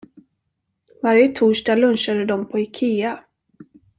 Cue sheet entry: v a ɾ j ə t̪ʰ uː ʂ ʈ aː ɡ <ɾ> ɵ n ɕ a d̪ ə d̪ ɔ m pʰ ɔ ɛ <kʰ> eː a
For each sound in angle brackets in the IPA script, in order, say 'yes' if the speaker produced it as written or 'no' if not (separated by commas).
no, yes